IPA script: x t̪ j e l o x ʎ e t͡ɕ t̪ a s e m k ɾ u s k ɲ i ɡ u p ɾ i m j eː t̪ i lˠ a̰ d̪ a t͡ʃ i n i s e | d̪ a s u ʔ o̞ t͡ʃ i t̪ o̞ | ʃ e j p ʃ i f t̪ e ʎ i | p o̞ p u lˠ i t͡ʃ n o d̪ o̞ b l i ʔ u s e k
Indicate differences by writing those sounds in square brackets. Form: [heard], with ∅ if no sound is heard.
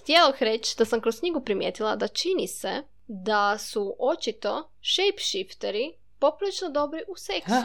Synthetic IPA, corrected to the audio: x t̪ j e l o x [ɾ] e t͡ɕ [d̪] a s [a] m k ɾ [o] s k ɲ i ɡ u p ɾ i m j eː t̪ i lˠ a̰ d̪ a t͡ʃ i n i s e | d̪ a s u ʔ o̞ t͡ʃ i t̪ o̞ | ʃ e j p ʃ i f t̪ e [ɾ] i | p o̞ p u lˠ i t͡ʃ n o d̪ o̞ b [ɾ] i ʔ u s e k